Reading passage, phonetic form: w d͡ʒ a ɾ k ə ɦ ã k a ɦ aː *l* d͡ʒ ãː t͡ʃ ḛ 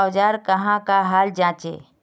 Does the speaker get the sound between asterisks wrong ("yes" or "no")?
no